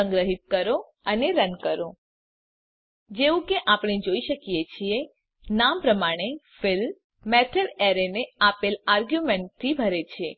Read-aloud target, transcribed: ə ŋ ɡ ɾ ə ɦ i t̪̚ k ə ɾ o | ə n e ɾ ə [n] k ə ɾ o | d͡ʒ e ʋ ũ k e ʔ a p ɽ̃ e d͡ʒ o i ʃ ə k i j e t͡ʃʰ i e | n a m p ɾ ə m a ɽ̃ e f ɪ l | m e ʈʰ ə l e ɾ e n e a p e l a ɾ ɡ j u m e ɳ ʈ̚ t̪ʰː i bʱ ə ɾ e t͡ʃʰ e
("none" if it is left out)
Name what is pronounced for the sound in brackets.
n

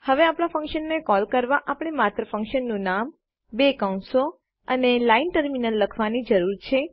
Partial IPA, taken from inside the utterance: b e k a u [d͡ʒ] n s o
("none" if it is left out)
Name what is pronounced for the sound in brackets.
none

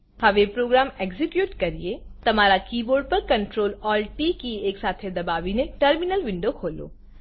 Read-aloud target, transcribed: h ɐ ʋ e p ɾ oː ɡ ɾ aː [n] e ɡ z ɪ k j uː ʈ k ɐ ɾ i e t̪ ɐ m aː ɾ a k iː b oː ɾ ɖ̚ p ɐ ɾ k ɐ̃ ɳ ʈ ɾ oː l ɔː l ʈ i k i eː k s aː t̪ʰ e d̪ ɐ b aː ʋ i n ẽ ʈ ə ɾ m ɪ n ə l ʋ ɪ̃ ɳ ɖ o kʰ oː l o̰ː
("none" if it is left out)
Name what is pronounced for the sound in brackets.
m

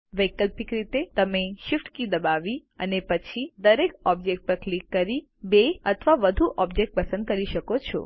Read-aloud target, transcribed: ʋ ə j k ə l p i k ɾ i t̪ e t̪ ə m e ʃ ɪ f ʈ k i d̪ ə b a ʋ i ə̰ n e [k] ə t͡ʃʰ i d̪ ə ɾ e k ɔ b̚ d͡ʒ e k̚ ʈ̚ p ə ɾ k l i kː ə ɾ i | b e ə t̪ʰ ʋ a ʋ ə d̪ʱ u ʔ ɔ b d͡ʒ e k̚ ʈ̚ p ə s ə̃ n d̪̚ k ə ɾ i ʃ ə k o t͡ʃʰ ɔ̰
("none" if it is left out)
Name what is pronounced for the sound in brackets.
p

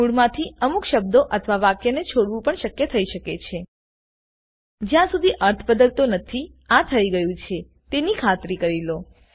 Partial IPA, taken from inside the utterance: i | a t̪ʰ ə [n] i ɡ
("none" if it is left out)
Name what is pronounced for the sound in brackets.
none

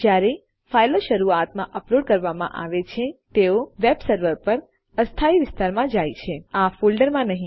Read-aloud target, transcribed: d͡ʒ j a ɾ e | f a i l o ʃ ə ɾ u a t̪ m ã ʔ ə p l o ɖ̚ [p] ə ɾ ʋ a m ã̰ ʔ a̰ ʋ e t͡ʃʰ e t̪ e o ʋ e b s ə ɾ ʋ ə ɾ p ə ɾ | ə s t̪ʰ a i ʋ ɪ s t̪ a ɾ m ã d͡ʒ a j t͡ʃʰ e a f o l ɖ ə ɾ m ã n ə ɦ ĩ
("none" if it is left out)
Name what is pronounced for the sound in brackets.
k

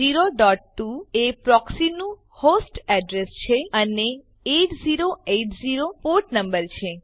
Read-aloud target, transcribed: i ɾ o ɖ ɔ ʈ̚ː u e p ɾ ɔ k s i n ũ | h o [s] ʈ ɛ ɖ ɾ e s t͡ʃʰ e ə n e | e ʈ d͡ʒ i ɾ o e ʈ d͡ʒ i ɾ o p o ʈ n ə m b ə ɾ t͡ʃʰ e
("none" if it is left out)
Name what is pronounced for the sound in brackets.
s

